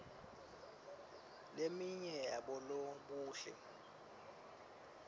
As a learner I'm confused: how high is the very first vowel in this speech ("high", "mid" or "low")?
mid